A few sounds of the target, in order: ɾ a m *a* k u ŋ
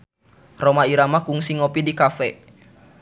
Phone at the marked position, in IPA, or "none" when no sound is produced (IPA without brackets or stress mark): a